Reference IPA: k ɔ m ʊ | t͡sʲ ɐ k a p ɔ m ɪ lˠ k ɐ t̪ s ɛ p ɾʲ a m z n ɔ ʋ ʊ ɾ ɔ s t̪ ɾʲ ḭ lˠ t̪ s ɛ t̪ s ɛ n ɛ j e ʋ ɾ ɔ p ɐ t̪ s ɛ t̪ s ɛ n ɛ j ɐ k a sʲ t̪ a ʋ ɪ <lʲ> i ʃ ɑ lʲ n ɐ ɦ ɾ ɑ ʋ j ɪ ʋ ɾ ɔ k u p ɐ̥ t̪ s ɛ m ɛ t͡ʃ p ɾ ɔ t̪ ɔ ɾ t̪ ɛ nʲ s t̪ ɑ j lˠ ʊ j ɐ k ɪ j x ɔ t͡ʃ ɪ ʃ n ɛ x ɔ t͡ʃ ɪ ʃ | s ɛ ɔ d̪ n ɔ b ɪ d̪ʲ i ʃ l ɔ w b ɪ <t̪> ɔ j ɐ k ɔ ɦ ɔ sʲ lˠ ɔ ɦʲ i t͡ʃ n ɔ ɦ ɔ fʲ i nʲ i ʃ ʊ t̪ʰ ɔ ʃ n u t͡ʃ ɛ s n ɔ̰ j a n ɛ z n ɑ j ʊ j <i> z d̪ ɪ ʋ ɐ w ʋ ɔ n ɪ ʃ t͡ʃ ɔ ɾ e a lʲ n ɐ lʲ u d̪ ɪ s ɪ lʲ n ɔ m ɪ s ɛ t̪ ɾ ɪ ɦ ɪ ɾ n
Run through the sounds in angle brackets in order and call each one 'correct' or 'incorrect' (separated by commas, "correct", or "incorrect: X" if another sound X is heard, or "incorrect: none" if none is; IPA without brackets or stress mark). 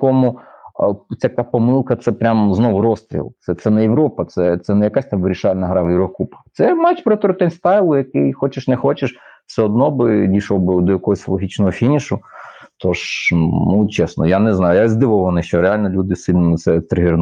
incorrect: ɾʲ, incorrect: d̪, incorrect: a